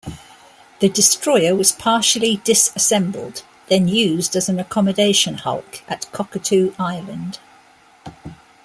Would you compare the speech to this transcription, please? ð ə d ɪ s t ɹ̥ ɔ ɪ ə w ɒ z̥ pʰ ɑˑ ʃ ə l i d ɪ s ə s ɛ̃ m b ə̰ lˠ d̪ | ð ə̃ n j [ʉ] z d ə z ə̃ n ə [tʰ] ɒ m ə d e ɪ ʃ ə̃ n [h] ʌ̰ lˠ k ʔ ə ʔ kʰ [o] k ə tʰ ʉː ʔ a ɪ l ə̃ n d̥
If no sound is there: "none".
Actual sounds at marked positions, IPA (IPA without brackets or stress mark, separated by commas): ʉː, kʰ, h, ɒ